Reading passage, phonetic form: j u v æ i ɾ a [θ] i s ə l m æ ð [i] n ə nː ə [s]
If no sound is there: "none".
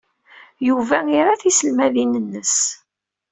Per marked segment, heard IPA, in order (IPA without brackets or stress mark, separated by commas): θ, i, s